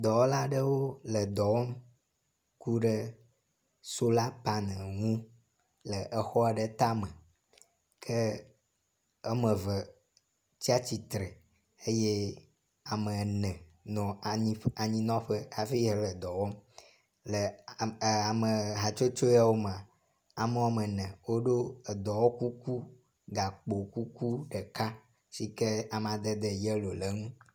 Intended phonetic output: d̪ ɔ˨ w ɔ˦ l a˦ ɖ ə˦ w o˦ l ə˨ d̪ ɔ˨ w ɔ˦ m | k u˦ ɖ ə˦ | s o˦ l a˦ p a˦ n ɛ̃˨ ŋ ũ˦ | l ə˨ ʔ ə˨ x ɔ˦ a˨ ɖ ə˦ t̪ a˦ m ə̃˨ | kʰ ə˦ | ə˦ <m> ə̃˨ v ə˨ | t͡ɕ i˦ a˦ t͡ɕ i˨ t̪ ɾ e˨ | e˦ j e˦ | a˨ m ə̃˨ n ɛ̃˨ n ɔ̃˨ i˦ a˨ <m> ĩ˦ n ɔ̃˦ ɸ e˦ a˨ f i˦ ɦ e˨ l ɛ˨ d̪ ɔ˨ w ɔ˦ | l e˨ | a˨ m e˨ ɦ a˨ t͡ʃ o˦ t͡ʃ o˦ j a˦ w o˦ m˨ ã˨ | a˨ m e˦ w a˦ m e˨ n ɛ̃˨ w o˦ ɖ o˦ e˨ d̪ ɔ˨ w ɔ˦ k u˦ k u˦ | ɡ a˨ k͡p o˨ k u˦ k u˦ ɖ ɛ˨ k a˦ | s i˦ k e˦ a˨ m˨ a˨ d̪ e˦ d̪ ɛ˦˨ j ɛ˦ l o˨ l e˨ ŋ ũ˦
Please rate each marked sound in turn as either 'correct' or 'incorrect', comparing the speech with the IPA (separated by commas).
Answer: correct, incorrect